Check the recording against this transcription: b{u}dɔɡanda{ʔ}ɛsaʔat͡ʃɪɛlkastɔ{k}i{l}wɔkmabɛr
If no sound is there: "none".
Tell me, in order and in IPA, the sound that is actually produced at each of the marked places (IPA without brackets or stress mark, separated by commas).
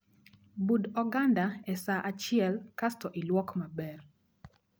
u, none, ʔ, l